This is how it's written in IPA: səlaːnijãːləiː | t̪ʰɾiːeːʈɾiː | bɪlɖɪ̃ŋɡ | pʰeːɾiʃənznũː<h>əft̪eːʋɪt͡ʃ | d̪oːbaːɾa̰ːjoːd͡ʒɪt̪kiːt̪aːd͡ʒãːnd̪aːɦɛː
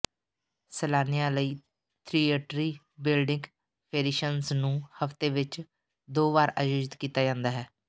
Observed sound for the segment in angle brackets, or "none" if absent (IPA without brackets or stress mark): h